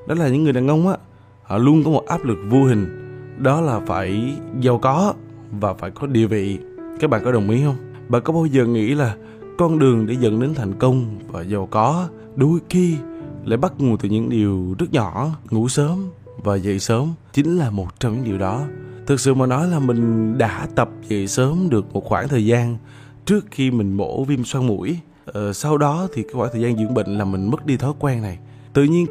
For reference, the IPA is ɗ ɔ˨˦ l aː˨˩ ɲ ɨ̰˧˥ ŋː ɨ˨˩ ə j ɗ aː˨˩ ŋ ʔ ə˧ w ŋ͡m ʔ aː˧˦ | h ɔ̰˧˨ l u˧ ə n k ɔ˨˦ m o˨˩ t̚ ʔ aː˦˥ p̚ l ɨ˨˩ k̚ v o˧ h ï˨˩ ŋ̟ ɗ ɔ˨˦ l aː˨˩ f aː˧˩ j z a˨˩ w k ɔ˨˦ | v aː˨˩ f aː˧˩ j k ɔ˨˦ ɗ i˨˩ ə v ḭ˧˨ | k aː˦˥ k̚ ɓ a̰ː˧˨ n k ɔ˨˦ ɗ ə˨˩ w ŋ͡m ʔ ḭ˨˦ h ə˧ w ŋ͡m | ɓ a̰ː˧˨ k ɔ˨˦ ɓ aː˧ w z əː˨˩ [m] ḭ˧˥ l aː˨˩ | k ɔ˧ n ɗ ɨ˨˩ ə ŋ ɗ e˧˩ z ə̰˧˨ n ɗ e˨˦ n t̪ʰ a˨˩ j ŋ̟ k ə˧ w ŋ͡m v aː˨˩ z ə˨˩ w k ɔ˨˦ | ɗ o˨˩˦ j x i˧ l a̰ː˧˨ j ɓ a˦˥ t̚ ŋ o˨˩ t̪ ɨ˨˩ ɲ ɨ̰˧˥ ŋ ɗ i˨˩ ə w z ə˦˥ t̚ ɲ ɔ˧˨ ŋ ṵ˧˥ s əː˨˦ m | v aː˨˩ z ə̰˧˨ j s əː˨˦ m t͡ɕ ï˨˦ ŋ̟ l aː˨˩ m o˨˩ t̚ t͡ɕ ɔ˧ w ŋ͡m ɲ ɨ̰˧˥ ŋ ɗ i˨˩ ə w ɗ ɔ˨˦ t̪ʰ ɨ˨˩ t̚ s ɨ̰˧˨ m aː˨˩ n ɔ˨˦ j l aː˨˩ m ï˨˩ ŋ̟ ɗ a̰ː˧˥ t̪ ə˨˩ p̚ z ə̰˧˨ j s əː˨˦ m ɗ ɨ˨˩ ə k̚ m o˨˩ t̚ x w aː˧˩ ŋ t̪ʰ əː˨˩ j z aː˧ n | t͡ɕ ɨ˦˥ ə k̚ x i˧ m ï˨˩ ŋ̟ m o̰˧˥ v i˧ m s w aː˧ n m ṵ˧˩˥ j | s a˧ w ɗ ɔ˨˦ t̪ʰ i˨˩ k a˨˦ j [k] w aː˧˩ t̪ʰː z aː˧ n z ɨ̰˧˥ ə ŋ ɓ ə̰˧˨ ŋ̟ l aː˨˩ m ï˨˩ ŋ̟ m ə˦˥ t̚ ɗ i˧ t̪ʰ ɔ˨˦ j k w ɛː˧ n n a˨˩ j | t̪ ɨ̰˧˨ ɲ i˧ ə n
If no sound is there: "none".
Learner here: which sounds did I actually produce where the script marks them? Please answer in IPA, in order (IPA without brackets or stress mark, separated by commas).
ŋ, x